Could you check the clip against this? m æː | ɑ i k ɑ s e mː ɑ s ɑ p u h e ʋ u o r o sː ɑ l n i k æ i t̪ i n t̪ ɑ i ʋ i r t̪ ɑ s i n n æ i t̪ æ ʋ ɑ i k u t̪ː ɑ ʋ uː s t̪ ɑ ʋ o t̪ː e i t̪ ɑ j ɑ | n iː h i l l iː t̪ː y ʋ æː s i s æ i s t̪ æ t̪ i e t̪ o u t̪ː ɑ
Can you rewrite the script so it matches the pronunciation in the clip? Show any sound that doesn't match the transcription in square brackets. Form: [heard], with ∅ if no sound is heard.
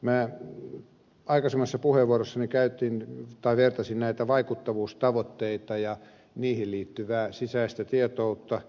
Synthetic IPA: m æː | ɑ i k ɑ s e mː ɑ [sː] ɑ p u h e ʋ u o r o sː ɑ [∅] n i k æ [y] t̪ i n t̪ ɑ i ʋ [e] r t̪ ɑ s i n n æ i t̪ æ ʋ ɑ i k u t̪ː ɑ ʋ uː s t̪ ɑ ʋ o t̪ː e i t̪ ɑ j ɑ | n iː h i l l iː t̪ː y ʋ æː s i s æ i s t̪ æ t̪ i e t̪ o u t̪ː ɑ